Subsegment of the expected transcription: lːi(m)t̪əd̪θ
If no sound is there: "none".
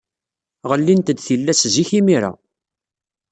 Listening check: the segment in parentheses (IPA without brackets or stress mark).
n